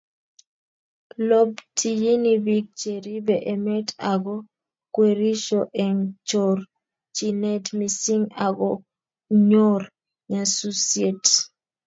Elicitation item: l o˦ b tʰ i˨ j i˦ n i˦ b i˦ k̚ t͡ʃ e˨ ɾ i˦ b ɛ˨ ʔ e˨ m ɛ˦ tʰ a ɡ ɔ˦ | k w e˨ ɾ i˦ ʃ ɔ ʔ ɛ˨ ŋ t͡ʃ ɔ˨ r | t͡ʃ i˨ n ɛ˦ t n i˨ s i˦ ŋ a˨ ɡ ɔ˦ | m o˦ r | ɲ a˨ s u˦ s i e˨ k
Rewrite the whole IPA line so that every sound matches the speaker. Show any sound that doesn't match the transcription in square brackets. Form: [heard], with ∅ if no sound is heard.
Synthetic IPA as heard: l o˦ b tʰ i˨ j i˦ n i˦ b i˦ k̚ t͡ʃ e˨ ɾ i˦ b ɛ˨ ʔ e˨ m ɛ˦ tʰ a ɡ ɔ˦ | k w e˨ ɾ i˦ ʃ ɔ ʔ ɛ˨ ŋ t͡ʃ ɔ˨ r | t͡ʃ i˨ n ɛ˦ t [m] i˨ s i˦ ŋ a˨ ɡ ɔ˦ | [ɲ] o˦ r | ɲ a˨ s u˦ s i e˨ [t]